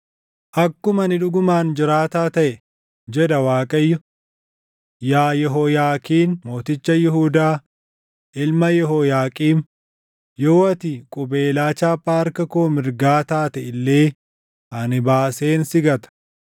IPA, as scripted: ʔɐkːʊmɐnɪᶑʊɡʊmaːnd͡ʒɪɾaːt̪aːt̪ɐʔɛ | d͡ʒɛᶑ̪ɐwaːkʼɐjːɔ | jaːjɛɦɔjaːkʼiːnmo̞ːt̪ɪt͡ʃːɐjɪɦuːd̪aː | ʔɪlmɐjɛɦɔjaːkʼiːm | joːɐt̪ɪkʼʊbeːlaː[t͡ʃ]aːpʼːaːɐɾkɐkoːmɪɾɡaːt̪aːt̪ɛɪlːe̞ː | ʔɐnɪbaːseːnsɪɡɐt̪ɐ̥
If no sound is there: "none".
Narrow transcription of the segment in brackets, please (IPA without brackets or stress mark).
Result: t͡ʃ